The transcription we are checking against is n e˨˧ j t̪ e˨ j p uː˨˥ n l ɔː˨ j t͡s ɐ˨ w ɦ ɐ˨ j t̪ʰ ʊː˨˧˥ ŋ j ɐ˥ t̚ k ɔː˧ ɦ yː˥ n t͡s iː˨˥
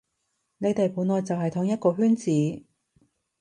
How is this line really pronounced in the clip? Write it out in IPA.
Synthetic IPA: n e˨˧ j t̪ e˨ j p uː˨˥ n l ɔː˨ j t͡s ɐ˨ w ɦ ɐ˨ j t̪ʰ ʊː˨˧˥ ŋ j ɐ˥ t̚ k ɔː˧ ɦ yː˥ n t͡s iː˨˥